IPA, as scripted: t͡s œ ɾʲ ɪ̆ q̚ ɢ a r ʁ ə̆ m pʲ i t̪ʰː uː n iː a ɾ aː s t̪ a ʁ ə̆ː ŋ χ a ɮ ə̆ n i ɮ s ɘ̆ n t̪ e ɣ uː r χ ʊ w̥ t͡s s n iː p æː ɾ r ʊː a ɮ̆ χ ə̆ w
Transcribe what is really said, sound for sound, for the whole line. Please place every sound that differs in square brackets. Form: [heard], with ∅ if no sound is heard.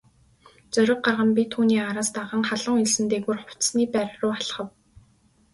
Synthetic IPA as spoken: t͡s œ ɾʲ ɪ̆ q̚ ɢ a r ʁ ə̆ m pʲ i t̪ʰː uː n iː a ɾ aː s t̪ a ʁ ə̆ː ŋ χ a ɮ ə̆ [ŋ] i ɮ s ɘ̆ n t̪ e ɣ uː r χ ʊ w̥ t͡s s n iː p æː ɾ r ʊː a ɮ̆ χ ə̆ w